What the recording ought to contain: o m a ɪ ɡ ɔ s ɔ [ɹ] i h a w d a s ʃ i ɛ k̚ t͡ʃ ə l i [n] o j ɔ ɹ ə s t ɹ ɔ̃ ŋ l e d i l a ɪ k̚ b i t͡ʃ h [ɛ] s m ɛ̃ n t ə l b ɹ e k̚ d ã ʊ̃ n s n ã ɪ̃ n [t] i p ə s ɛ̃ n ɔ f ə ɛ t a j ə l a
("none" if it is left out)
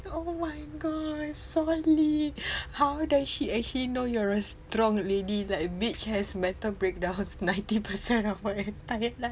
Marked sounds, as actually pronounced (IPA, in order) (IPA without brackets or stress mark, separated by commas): l, n, ɛ, t